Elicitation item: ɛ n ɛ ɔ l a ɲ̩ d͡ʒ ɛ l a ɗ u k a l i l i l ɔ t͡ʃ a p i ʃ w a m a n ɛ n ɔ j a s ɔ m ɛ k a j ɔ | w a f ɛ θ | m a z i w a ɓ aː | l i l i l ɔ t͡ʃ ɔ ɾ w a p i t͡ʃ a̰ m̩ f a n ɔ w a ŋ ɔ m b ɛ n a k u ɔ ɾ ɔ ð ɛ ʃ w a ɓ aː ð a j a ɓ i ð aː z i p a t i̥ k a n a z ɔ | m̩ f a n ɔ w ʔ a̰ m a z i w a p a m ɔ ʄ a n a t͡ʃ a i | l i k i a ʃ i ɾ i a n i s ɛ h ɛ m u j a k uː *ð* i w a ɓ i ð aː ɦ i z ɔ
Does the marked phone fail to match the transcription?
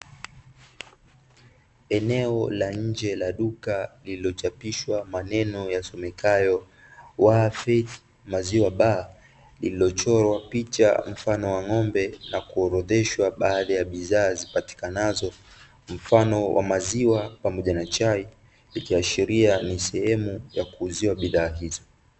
yes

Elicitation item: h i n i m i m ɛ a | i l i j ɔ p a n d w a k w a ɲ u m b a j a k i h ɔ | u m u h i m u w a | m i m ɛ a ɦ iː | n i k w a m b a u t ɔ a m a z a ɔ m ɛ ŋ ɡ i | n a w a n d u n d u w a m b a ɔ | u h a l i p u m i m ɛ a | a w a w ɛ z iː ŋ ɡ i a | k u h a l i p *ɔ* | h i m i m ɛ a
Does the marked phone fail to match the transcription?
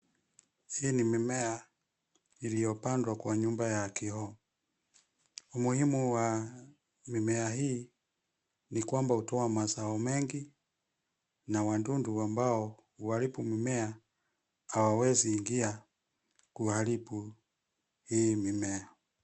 yes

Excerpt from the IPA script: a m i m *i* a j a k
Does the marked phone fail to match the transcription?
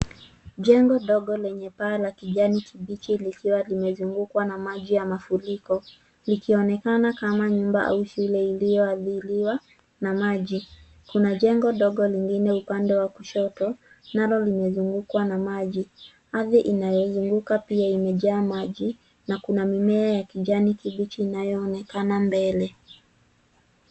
yes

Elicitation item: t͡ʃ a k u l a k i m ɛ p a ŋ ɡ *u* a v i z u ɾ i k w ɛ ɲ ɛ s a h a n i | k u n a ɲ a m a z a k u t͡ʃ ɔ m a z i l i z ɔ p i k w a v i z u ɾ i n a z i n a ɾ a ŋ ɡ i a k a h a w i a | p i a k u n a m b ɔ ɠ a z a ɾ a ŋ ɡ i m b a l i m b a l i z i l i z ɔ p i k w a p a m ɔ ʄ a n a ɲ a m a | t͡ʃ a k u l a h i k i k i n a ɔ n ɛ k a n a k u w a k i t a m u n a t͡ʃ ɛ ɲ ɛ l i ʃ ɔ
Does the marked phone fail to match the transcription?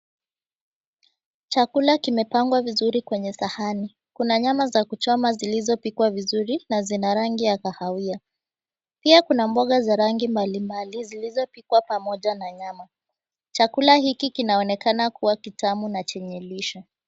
yes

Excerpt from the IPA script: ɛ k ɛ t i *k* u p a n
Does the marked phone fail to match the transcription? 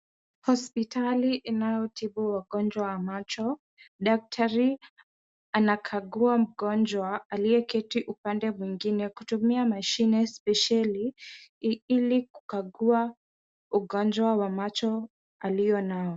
yes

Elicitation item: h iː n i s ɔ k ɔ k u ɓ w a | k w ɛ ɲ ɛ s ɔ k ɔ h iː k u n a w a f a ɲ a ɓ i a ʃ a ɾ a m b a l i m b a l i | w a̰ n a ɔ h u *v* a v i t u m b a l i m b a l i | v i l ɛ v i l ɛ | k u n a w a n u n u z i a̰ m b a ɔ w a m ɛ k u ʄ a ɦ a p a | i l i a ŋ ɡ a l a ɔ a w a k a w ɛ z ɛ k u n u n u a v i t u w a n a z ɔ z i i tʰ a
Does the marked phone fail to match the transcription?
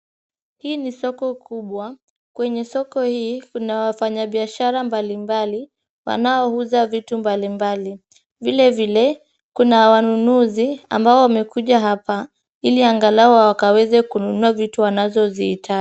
yes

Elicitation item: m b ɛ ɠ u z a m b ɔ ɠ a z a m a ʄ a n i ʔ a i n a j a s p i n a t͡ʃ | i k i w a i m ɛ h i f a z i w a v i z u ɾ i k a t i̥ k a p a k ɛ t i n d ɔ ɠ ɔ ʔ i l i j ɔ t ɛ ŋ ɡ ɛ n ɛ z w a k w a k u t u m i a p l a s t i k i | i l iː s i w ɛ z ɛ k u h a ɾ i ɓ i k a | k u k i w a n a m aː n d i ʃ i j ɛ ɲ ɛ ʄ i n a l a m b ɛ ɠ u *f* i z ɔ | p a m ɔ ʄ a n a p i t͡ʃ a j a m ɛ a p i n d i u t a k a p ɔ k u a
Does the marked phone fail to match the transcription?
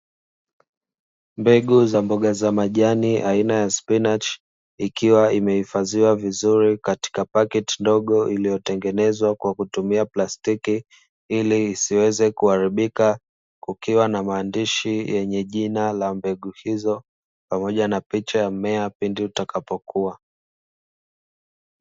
yes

